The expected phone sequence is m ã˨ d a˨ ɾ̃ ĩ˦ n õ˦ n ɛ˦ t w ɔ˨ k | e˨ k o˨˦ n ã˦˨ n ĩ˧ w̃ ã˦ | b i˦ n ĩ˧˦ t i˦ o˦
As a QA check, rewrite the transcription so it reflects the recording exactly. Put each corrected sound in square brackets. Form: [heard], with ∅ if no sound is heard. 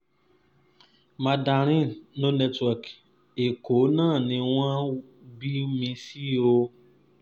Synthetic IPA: m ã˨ d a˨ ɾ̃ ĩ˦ n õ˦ n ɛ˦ t w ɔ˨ k | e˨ k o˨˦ n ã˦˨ n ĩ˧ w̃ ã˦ | b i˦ [m] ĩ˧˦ [s] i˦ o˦